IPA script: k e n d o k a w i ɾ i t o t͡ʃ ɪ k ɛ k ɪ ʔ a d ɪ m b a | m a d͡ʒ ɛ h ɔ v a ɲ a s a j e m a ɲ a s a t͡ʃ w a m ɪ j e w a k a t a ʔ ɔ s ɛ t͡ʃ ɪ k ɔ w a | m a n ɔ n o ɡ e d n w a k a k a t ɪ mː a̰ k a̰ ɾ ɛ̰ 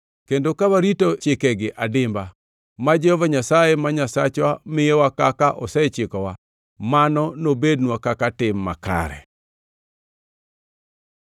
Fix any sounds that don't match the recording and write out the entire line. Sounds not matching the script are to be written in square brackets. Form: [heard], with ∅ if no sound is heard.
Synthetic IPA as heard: k e n d o k a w [a] ɾ i t o t͡ʃ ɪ k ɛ [ɡ] ɪ ʔ a d ɪ m b a | m a d͡ʒ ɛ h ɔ v a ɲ a s a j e m a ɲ a s a t͡ʃ w a m ɪ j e w a k a [k] a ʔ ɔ s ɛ t͡ʃ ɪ k ɔ w a | m a n ɔ n o [b] e d n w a k a k a t ɪ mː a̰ k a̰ ɾ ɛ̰